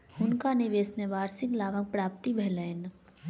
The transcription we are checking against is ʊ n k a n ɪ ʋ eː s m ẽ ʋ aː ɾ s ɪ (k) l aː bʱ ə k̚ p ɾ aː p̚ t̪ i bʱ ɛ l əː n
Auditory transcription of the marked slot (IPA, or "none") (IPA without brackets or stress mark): k